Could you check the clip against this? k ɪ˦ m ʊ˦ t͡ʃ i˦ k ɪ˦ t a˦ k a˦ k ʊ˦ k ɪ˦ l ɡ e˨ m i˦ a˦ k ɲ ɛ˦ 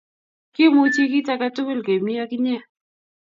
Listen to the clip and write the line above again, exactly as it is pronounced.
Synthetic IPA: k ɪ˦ m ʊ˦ t͡ʃ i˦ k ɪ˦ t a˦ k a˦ t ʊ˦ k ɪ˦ l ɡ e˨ m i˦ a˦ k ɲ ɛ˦